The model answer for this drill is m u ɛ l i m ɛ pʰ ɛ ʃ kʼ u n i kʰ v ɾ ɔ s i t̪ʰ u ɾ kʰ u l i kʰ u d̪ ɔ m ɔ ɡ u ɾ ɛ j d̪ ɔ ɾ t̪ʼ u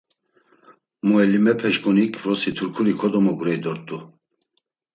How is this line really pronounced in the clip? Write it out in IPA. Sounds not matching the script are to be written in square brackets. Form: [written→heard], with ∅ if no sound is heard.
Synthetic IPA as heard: m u ɛ l i m ɛ pʰ ɛ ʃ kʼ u n i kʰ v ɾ ɔ s i t̪ʰ u ɾ kʰ u [l→ɾ] i kʰ [u→ɔ] d̪ ɔ m ɔ ɡ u ɾ ɛ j d̪ ɔ ɾ t̪ʼ u